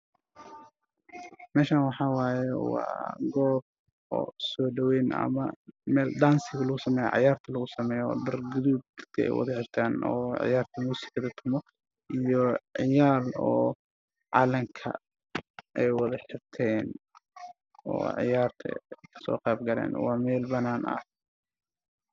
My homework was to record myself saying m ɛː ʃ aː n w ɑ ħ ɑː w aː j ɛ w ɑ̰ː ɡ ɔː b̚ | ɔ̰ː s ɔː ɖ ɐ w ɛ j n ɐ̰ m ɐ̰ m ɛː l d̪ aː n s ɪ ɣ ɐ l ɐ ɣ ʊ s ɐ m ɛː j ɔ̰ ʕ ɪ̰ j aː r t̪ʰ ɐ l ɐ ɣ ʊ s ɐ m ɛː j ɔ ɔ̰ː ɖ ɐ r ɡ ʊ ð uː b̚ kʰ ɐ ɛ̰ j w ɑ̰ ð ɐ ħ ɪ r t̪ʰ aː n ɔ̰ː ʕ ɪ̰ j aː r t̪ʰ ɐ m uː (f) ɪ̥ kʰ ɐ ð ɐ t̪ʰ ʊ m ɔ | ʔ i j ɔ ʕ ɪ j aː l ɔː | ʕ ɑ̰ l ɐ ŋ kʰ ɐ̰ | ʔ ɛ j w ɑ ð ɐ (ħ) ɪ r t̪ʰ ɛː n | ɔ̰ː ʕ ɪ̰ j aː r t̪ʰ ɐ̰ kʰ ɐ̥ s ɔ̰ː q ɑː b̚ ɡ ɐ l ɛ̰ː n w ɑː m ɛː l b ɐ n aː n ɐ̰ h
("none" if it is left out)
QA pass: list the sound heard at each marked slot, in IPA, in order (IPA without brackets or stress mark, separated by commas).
s, ħ